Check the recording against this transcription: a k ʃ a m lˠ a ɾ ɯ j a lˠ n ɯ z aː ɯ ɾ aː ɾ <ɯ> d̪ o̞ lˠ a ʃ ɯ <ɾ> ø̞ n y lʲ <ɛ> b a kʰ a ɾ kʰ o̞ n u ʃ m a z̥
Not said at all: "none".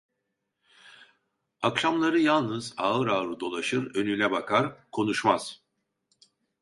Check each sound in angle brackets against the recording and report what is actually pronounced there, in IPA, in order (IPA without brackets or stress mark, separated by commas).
ɯ, ɾ, ɛ